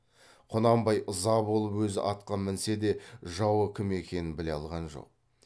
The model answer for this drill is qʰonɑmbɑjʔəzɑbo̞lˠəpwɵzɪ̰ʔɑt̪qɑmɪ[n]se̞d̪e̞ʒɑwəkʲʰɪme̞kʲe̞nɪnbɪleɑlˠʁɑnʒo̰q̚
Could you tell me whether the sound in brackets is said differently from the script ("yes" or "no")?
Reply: no